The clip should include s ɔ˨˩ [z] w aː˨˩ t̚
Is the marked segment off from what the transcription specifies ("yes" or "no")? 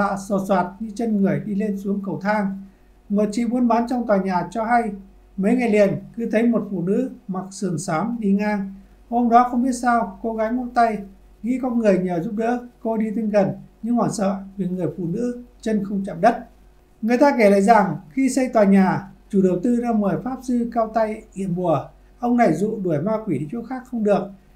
yes